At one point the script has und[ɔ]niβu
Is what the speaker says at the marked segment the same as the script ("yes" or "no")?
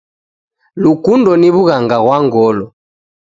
yes